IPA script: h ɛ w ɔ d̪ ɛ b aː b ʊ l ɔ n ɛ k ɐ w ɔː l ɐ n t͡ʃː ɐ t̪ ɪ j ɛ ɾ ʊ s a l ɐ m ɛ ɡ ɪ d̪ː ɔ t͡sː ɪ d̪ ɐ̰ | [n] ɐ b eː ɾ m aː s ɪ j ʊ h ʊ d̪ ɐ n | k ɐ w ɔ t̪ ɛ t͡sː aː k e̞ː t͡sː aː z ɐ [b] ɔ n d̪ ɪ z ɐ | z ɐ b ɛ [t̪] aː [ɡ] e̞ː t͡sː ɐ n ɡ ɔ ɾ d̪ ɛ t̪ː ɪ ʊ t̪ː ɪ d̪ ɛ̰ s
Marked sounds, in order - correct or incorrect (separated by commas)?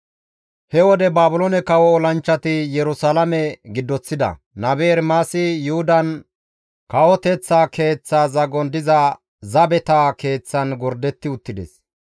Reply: correct, incorrect, correct, incorrect